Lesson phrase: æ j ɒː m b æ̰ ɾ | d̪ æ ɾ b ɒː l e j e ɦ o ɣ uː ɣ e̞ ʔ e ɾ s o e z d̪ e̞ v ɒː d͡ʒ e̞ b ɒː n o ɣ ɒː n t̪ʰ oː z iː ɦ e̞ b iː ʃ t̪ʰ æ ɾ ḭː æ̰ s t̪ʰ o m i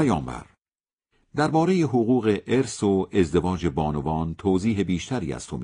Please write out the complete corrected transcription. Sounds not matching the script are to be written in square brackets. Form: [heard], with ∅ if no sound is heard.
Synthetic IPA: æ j ɒː m b æ̰ ɾ | d̪ æ ɾ b ɒː [ɾ] e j e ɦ o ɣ uː ɣ e̞ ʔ e ɾ s o e z d̪ e̞ v ɒː d͡ʒ e̞ b ɒː n o [v] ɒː n t̪ʰ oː z iː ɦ e̞ b iː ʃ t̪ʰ æ ɾ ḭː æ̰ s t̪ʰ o m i